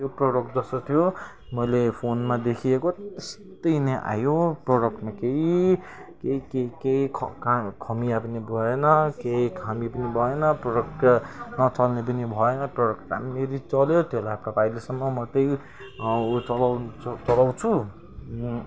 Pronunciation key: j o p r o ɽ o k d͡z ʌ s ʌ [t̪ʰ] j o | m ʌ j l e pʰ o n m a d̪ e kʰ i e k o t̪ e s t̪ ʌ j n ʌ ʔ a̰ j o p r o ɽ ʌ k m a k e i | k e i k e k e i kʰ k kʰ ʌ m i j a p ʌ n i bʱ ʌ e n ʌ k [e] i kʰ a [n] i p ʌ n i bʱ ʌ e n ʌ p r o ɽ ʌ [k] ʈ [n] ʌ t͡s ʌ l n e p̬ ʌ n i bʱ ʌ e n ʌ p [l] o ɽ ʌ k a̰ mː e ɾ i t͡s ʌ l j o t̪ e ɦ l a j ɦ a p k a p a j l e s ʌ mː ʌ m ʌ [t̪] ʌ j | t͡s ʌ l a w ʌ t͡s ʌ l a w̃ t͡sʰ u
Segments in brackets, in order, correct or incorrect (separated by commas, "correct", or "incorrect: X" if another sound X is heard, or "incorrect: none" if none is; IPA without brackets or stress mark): correct, correct, incorrect: m, correct, correct, incorrect: r, correct